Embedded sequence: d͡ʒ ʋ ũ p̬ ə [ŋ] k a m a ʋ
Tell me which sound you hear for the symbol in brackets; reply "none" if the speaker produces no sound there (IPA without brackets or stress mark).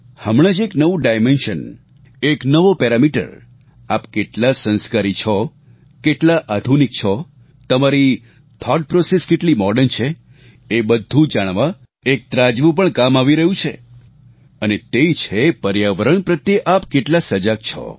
ɳ